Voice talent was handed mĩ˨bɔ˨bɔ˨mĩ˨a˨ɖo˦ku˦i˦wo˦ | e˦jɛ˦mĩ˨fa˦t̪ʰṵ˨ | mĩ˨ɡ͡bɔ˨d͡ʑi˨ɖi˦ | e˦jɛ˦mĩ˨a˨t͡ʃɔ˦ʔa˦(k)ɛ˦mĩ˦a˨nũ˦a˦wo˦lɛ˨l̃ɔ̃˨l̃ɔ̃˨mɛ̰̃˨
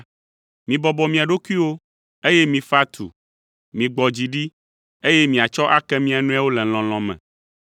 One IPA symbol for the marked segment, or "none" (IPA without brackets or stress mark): k